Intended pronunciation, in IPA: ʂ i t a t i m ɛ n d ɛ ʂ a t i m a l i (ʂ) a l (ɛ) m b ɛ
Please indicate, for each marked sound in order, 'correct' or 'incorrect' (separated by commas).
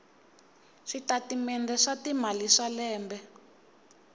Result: correct, incorrect